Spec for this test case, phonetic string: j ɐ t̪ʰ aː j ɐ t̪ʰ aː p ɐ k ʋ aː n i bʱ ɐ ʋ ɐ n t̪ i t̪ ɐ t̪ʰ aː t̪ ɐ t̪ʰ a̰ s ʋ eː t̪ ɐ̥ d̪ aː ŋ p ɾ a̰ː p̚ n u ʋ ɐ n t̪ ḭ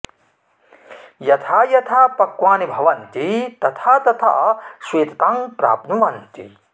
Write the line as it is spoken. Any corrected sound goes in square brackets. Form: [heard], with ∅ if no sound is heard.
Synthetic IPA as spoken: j ɐ t̪ʰ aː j ɐ t̪ʰ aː p ɐ k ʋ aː n i bʱ ɐ ʋ ɐ n t̪ i t̪ ɐ t̪ʰ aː t̪ ɐ t̪ʰ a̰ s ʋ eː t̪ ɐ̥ [t̪] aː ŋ p ɾ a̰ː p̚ n u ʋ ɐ n t̪ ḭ